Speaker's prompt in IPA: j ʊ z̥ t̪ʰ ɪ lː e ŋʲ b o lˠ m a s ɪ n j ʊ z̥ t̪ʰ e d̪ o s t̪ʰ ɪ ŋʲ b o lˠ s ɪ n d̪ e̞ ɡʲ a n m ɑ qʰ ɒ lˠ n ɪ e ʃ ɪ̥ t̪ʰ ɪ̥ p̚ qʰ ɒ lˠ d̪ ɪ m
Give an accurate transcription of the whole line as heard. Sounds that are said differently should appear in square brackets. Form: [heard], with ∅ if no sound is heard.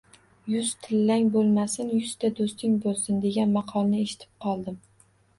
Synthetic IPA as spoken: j ʊ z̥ t̪ʰ ɪ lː [a] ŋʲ b o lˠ m a s ɪ n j ʊ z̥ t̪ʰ [a] d̪ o s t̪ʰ ɪ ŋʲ b o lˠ s ɪ n d̪ e̞ ɡʲ a n m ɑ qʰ ɒ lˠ n ɪ e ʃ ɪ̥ t̪ʰ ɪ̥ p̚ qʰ ɒ lˠ d̪ ɪ m